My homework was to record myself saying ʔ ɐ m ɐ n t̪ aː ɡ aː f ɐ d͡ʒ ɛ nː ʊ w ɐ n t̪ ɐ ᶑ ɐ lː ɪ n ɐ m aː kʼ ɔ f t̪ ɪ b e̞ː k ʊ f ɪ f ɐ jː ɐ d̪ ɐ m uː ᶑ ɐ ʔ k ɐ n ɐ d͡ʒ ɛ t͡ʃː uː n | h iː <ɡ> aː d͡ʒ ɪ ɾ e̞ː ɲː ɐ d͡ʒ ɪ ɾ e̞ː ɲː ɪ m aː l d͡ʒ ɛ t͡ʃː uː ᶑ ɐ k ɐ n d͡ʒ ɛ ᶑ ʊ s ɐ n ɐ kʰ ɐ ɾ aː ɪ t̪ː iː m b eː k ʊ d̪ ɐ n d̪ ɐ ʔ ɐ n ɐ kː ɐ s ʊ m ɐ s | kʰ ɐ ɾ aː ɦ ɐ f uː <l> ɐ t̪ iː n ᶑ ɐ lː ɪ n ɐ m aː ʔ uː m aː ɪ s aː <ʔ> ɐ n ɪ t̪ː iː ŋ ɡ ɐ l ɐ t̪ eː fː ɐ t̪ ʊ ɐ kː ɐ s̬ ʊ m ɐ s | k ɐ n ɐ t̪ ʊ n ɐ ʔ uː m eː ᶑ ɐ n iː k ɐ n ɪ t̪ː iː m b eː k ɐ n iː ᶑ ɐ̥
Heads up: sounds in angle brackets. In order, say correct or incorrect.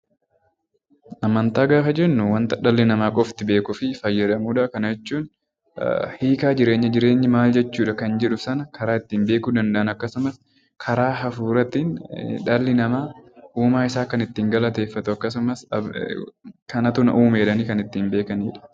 incorrect: k, incorrect: ɾ, incorrect: k

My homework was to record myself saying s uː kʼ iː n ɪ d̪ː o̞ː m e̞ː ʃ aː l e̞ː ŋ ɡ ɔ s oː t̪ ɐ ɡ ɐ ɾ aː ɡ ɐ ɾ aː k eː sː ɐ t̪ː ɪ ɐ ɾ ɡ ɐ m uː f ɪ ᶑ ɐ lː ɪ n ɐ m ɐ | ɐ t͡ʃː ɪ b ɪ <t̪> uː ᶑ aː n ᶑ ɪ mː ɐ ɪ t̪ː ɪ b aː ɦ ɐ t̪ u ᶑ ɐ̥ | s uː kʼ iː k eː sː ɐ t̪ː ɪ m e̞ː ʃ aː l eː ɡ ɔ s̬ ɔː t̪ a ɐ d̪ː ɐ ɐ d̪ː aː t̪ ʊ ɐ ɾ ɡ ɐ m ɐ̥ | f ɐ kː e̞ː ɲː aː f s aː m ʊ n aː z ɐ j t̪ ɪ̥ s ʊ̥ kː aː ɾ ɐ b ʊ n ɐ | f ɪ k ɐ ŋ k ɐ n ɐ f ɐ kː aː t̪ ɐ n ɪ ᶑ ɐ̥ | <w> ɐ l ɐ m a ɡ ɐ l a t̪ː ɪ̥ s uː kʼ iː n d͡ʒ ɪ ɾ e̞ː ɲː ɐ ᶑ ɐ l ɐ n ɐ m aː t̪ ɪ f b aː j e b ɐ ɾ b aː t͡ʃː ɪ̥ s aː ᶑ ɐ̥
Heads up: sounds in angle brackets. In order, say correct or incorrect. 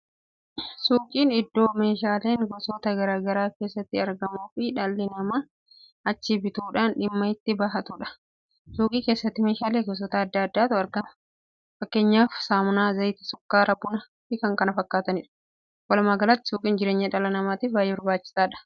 correct, correct

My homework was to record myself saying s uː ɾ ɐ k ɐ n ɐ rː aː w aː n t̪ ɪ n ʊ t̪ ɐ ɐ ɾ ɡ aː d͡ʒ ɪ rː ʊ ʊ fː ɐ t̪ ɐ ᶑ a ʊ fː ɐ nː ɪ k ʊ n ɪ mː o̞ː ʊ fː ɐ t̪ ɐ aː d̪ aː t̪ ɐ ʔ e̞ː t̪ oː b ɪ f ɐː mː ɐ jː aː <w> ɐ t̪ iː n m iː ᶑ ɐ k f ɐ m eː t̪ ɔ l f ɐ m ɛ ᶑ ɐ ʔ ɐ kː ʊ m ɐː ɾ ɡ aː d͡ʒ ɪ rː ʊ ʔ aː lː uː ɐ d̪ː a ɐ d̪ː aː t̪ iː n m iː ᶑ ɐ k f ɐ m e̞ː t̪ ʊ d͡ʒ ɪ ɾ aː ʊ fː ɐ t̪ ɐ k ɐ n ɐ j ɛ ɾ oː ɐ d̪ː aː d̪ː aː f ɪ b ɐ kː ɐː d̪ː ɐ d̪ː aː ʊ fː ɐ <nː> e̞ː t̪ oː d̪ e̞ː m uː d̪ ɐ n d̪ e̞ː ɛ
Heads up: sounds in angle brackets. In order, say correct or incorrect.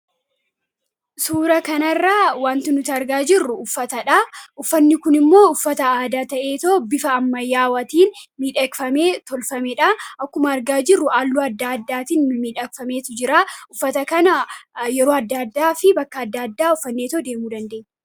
correct, correct

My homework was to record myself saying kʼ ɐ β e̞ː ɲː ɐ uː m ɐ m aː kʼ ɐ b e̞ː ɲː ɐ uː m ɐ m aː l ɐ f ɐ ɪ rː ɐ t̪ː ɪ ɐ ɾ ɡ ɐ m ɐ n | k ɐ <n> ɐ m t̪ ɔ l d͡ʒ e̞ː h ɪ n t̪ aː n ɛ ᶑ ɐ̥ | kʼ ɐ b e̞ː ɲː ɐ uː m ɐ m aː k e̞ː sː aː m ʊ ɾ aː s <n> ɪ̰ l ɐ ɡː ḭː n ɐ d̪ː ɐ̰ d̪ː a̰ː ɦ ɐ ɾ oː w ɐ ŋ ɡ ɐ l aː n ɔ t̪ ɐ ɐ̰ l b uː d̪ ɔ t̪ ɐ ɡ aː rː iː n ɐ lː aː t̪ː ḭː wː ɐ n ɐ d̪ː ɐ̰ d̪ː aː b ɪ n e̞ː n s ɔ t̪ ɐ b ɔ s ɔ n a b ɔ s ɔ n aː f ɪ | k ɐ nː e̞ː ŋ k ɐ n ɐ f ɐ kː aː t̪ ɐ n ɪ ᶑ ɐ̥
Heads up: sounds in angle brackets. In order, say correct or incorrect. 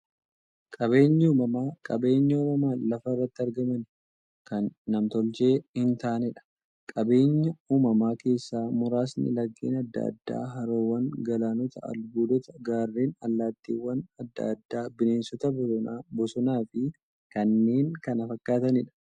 incorrect: nː, correct

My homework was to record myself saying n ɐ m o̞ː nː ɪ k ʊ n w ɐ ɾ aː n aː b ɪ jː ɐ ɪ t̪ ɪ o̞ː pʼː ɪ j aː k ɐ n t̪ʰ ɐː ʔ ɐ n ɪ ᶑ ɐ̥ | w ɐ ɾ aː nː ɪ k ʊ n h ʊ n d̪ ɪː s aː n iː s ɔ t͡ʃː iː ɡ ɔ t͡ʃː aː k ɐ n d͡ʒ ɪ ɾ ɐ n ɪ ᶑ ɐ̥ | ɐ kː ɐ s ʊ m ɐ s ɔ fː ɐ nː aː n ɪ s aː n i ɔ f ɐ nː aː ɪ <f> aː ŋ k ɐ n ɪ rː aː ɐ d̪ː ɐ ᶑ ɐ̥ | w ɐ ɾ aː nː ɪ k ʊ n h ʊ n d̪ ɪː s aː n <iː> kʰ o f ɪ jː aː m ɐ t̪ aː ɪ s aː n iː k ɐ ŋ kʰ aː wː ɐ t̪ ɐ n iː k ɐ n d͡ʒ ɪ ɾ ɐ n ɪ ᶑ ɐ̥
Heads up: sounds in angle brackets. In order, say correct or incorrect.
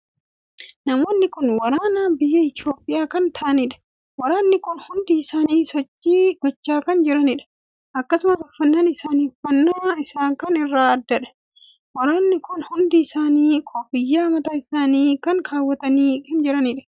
incorrect: s, correct

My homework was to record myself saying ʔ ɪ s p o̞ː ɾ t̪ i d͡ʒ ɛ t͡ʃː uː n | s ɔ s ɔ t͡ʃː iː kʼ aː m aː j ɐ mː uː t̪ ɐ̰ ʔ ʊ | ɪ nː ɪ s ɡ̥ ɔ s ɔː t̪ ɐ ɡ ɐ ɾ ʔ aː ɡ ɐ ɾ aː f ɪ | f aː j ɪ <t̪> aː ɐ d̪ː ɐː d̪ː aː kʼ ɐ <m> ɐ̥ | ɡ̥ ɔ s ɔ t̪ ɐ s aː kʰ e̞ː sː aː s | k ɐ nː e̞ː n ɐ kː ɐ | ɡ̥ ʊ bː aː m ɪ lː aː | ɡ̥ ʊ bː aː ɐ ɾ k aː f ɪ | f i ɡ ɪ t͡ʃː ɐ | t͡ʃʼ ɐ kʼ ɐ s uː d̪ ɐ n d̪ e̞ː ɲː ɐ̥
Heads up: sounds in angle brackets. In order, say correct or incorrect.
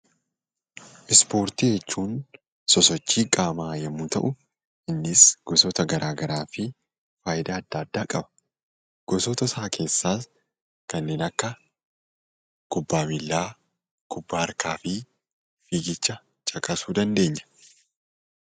incorrect: d̪, incorrect: b

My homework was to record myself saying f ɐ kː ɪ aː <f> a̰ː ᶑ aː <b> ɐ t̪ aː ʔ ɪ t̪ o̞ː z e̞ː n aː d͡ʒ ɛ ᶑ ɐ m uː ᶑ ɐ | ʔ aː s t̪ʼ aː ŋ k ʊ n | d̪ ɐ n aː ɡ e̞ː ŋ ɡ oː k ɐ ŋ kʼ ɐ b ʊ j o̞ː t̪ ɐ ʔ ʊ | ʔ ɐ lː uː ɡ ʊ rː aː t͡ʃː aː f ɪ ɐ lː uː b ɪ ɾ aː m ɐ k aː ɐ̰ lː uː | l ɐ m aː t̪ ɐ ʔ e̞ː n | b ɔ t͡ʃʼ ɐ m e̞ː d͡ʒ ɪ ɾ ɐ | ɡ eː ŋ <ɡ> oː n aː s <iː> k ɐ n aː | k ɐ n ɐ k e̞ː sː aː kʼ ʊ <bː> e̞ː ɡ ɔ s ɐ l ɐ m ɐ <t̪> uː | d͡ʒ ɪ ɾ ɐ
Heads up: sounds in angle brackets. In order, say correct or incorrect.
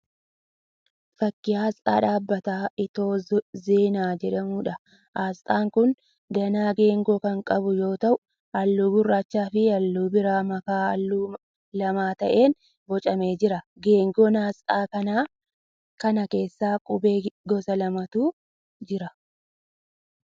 incorrect: s, incorrect: bː, correct, incorrect: aː, incorrect: b, correct

